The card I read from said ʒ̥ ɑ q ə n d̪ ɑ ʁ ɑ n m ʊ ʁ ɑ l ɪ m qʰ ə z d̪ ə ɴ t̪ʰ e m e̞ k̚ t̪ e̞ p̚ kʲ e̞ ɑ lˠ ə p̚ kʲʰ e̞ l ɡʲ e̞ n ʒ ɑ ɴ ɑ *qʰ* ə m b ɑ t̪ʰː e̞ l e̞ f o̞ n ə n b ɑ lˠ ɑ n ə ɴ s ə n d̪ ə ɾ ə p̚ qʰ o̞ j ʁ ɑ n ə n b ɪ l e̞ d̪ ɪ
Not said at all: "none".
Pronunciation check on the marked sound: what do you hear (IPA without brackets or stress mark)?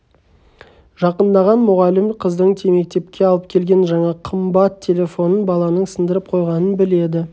qʰ